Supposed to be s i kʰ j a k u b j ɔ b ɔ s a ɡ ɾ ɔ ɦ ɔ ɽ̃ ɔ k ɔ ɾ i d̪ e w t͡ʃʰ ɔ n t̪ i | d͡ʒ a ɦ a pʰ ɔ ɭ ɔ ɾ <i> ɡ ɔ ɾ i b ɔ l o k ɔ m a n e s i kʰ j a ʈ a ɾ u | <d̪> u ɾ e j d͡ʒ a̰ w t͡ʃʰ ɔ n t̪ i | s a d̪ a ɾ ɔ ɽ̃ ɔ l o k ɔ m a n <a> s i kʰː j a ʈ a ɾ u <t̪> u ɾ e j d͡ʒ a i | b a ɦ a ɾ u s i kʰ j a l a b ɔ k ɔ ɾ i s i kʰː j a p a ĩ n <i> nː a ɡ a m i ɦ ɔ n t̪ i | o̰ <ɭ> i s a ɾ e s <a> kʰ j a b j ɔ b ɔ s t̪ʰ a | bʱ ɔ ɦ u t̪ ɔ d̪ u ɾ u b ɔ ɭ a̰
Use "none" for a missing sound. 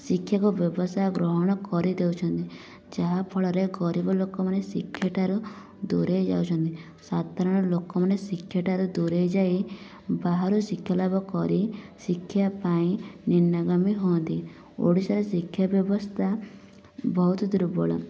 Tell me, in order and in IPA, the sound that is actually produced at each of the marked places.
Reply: e, d̪, e, d̪, i, ɽ, i

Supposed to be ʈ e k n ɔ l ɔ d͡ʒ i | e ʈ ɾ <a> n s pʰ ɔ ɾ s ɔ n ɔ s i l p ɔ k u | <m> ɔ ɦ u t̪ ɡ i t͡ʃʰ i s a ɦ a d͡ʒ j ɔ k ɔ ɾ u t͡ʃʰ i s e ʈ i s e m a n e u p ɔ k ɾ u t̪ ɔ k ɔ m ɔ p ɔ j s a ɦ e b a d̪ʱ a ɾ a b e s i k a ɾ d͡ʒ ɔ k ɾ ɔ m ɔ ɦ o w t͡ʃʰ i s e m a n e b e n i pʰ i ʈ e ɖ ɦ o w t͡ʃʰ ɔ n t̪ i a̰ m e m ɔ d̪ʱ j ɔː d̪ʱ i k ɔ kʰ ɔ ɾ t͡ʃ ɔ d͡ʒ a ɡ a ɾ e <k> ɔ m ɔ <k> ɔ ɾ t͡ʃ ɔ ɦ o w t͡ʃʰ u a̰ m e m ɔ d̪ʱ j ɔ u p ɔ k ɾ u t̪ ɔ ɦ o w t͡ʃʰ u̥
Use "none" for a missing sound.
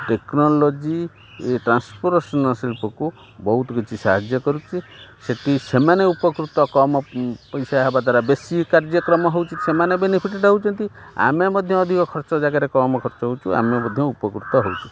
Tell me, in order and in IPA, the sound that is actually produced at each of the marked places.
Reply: a, b, k, kʰ

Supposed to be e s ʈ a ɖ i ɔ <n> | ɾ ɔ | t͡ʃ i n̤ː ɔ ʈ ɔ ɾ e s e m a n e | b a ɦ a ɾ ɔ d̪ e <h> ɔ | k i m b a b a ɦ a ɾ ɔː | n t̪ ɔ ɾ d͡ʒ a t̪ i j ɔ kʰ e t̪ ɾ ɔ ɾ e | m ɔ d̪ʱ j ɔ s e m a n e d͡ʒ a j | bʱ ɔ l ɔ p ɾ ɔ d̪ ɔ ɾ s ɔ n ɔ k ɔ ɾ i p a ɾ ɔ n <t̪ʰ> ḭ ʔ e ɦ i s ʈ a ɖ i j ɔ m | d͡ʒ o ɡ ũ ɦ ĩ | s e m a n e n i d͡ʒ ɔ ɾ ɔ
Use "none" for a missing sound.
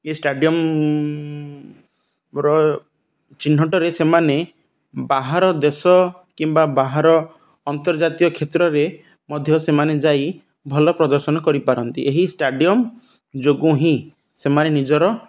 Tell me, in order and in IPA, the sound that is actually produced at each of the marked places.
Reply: m, s, t̪

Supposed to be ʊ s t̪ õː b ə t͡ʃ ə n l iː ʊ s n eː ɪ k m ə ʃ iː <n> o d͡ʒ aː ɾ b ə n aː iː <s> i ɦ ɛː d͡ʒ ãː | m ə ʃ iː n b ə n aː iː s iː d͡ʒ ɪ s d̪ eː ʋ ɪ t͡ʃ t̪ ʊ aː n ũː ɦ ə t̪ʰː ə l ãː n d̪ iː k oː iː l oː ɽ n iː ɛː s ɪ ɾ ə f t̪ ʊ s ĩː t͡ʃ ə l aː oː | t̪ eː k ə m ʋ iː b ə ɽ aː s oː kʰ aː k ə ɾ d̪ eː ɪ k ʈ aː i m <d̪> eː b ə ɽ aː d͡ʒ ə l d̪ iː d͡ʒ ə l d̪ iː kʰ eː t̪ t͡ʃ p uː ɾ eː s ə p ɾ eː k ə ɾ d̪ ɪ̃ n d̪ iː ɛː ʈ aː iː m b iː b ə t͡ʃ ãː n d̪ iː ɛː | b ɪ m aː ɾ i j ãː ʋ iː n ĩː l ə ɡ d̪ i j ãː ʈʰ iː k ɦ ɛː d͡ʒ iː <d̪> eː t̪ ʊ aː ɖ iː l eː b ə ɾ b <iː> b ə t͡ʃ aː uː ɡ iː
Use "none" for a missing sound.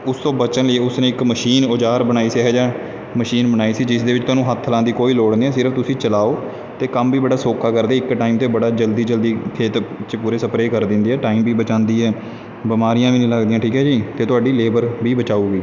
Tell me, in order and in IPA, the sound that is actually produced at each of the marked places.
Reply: n, s, t̪, t̪, iː

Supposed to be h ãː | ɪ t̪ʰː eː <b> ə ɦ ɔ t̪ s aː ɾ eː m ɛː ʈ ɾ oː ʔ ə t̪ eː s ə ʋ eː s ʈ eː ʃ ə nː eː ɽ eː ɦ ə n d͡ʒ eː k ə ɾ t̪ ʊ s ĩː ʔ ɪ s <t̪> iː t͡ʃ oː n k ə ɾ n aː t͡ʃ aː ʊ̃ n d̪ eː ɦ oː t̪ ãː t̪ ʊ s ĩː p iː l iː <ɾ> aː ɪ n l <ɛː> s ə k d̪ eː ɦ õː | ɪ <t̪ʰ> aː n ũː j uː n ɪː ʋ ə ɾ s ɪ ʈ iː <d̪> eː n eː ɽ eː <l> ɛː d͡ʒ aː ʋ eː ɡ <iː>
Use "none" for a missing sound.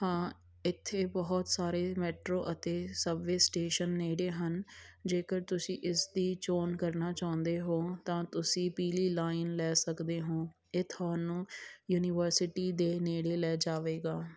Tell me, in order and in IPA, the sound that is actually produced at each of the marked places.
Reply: b, d̪, l, ɛː, t̪ʰ, d̪, l, aː

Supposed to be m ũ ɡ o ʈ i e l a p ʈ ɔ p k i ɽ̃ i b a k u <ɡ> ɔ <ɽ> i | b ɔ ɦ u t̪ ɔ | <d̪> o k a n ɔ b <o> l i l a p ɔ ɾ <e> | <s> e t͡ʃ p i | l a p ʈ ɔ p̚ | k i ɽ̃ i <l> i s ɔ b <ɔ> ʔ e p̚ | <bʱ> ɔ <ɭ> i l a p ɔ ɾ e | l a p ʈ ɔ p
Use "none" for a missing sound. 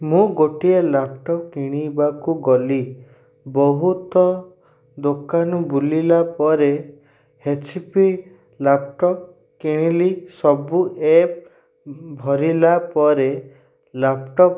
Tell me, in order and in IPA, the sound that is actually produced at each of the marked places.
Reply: ɡ, l, d̪, u, e, h, l, u, bʱ, ɾ

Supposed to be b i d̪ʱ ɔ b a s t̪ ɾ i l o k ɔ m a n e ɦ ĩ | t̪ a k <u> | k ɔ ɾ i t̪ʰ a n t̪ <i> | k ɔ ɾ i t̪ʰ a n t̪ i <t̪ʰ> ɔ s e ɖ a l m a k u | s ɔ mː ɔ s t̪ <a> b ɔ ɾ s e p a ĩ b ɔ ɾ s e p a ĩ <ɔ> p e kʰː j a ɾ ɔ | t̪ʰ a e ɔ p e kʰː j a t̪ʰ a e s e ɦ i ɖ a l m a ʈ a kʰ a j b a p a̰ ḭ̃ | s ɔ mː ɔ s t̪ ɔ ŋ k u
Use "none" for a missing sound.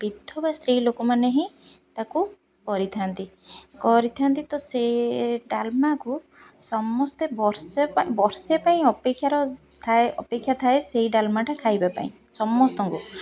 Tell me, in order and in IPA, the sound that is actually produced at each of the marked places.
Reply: u, i, t̪, e, ɔ

